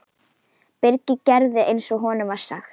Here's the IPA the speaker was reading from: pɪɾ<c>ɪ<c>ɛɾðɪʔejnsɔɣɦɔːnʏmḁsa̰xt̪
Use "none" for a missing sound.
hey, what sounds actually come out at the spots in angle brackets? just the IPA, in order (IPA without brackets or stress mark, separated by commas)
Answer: c, c